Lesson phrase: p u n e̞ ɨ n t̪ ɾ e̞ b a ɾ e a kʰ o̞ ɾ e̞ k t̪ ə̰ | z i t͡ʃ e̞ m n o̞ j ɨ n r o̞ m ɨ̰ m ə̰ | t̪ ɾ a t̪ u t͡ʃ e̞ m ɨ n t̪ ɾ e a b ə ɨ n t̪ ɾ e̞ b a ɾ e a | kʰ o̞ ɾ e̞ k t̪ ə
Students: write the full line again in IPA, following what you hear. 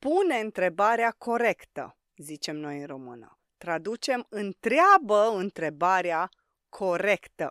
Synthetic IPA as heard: p u n e̞ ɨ n t̪ ɾ e̞ b a ɾ e a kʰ o̞ ɾ e̞ k t̪ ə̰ | z i t͡ʃ e̞ m n o̞ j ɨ n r o̞ m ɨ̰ n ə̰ | t̪ ɾ a d̪ u t͡ʃ e̞ m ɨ n t̪ ɾ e a b ə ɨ n t̪ ɾ e̞ b a ɾ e a | kʰ o̞ ɾ e̞ k t̪ ə